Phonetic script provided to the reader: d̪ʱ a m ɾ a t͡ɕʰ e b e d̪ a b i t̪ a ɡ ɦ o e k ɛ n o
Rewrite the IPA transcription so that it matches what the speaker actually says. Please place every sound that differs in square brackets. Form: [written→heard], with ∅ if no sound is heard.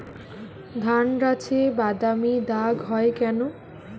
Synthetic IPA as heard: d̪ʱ a [m→n] ɾ a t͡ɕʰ e b [e→a] d̪ a [b→m] i [t̪→d̪] a ɡ ɦ [o→ɔ] e k ɛ n o